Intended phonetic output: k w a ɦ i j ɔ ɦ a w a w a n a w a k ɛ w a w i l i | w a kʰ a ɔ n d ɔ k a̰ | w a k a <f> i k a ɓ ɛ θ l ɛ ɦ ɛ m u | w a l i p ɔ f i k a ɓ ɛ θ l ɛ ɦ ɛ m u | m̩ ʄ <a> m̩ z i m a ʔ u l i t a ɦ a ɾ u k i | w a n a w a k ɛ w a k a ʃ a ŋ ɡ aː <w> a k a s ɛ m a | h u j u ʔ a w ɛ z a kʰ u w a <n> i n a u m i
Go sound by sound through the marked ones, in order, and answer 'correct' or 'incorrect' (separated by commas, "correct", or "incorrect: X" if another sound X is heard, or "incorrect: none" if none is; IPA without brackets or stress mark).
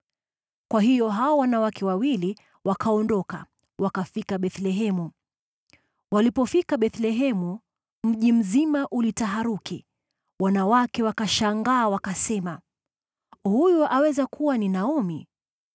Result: correct, incorrect: i, correct, correct